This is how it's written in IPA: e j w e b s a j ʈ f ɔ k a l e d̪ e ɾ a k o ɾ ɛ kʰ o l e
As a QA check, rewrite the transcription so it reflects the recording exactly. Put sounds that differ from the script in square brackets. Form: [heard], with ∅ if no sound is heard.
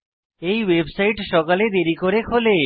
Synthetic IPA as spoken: e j w e b s a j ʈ [ʃ] ɔ k a l e d̪ e ɾ [i] k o ɾ [e] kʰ o l e